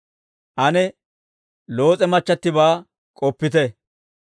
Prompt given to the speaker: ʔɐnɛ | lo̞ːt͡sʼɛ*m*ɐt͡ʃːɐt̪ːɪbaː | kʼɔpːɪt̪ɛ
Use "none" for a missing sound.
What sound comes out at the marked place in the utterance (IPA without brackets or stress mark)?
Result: m